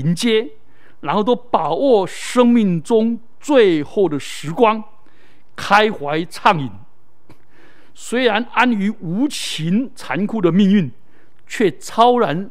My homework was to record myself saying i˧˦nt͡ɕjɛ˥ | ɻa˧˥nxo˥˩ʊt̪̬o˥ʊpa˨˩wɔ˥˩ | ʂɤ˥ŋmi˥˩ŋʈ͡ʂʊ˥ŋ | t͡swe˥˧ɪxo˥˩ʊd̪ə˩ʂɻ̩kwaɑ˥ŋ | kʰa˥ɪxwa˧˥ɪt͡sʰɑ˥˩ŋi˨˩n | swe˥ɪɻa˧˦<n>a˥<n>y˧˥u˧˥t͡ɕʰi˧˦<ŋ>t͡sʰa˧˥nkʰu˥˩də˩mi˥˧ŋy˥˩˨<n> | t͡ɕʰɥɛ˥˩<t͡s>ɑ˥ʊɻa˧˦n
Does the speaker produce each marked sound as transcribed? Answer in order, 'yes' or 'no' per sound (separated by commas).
yes, yes, no, yes, no